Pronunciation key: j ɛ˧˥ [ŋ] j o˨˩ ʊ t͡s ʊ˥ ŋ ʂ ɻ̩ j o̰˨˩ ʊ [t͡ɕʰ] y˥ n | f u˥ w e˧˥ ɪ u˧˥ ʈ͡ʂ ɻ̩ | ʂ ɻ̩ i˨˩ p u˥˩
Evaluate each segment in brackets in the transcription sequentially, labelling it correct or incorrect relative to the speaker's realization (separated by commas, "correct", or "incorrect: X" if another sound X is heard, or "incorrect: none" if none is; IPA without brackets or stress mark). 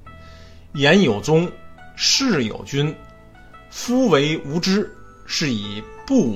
incorrect: n, incorrect: t͡ɕ